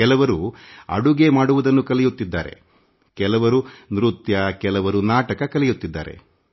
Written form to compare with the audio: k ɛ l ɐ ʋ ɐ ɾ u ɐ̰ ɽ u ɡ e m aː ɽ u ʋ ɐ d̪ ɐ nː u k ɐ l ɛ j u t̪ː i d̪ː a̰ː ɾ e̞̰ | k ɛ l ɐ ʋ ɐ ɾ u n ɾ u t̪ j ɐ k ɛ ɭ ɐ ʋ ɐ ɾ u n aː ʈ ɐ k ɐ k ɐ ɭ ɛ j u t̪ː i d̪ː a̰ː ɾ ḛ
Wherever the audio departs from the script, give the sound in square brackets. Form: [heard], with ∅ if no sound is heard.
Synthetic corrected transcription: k ɛ l ɐ ʋ ɐ ɾ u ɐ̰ ɽ u ɡ e m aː ɽ u ʋ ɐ d̪ ɐ nː u k ɐ l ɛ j u t̪ː i d̪ː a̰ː ɾ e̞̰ | k ɛ l ɐ ʋ ɐ ɾ u n ɾ u t̪ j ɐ k ɛ [l] ɐ ʋ ɐ ɾ u n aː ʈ ɐ k ɐ k ɐ [l] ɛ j u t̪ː i d̪ː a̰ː ɾ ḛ

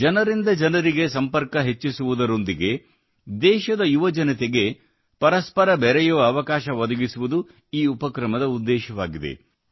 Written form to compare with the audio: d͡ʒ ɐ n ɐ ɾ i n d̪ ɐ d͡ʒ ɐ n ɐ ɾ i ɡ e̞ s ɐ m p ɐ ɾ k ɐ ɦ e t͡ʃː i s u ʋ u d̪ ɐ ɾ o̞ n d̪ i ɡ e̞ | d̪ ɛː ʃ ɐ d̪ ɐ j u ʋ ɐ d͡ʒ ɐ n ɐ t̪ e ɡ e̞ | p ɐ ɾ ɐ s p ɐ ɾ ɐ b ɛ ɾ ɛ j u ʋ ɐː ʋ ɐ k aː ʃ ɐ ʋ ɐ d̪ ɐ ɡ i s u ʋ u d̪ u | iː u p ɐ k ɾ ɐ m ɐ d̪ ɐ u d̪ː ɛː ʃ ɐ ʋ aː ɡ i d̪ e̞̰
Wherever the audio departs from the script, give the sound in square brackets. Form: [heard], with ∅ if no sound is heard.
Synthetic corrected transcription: d͡ʒ ɐ n ɐ ɾ i n d̪ ɐ d͡ʒ ɐ n ɐ ɾ i ɡ e̞ s ɐ m p ɐ ɾ k ɐ ɦ e t͡ʃː i s u ʋ u d̪ ɐ ɾ o̞ n d̪ i ɡ e̞ | d̪ ɛː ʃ ɐ d̪ ɐ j u ʋ ɐ d͡ʒ ɐ n ɐ t̪ e ɡ e̞ | p ɐ ɾ ɐ s p ɐ ɾ ɐ b ɛ ɾ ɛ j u ʋ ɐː ʋ ɐ k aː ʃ ɐ ʋ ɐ d̪ ɐ ɡ i s u ʋ u d̪ u | iː u p ɐ k ɾ ɐ m ɐ d̪ ɐ u d̪ː ɛː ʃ ɐ ʋ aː ɡ i d̪ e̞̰

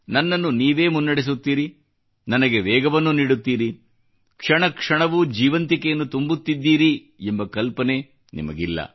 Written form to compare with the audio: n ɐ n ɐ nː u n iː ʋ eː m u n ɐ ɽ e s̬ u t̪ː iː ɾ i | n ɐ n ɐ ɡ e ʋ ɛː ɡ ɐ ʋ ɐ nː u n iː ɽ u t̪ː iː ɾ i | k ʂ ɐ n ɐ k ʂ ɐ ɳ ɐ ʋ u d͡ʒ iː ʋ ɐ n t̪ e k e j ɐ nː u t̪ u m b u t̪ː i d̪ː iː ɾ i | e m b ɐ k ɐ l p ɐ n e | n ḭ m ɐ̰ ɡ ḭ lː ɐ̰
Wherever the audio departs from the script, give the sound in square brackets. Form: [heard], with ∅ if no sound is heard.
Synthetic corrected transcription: n ɐ [nː] ɐ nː u n iː ʋ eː m u [nː] ɐ ɽ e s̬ u t̪ː iː ɾ i | n ɐ n ɐ ɡ e ʋ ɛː ɡ ɐ ʋ ɐ nː u n iː ɽ u t̪ː iː ɾ i | k ʂ ɐ [ɳ] ɐ k ʂ ɐ ɳ ɐ ʋ u d͡ʒ iː ʋ ɐ n t̪ [i] k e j ɐ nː u t̪ u m b u t̪ː i d̪ː iː ɾ i | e m b ɐ k ɐ l p ɐ n e | n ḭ m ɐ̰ ɡ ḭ lː ɐ̰

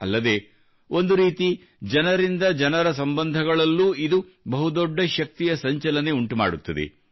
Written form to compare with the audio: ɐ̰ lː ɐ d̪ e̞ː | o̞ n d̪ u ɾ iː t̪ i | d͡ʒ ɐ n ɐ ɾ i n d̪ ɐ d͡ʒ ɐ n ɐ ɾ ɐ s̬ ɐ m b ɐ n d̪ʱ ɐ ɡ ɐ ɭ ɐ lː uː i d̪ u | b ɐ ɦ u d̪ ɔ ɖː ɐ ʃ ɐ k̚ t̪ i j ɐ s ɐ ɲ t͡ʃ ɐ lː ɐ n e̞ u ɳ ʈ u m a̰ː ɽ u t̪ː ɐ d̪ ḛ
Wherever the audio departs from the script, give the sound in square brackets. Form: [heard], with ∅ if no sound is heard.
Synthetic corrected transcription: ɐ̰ lː ɐ d̪ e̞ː | o̞ n d̪ u ɾ iː t̪ i | d͡ʒ ɐ n ɐ ɾ i n d̪ ɐ d͡ʒ ɐ n ɐ ɾ ɐ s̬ ɐ m b ɐ n d̪ʱ ɐ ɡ ɐ ɭ ɐ lː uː i d̪ u | b ɐ ɦ u d̪ ɔ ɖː ɐ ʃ ɐ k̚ t̪ i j ɐ s ɐ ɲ t͡ʃ ɐ [l] ɐ n e̞ u ɳ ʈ u m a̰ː ɽ u t̪ː ɐ d̪ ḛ

